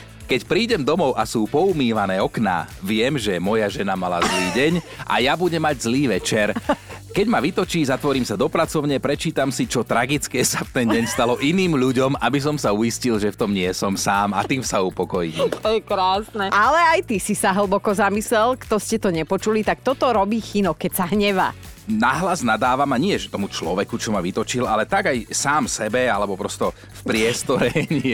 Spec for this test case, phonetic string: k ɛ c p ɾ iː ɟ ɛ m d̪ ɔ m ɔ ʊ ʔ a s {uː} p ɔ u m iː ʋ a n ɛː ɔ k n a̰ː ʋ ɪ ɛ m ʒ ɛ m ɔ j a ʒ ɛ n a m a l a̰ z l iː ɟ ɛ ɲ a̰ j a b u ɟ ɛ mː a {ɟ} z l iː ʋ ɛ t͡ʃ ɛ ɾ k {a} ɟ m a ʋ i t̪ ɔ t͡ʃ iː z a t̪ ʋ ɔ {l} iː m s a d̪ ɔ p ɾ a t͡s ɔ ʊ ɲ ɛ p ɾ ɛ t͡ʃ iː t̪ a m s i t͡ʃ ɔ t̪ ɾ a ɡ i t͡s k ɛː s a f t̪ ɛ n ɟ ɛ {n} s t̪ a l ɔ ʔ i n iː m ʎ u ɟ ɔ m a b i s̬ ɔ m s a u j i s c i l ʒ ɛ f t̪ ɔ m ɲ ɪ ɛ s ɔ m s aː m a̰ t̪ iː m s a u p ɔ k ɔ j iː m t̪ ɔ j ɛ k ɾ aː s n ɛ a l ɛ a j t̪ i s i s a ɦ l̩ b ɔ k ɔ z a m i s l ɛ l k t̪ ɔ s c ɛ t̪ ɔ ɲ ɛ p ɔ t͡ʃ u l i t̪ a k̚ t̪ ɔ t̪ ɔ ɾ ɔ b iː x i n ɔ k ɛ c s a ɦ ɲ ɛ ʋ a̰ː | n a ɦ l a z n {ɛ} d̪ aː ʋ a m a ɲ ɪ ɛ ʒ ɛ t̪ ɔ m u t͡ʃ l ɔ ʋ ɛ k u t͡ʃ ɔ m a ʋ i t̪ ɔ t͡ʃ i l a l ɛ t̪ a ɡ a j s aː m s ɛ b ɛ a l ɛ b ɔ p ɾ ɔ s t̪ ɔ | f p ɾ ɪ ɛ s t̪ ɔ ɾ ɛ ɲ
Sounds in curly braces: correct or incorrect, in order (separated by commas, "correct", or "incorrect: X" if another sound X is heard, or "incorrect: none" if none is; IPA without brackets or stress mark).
correct, correct, incorrect: ɛ, incorrect: ɾ, incorrect: ɲ, incorrect: a